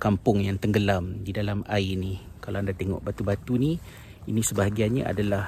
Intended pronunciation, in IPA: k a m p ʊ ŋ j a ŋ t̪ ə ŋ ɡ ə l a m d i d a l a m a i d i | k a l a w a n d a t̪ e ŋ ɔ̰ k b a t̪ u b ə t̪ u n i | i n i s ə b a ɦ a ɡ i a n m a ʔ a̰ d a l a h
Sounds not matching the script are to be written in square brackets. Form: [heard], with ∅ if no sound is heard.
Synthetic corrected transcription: k a m p ʊ ŋ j a ŋ t̪ ə ŋ ɡ ə l a m d i d a l a m a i [n] i | k a l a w a n d a t̪ e ŋ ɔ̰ [ʔ] b a t̪ u b [a] t̪ u n i | i n i s ə b a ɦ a ɡ i a n [ɲ] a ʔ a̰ d a l a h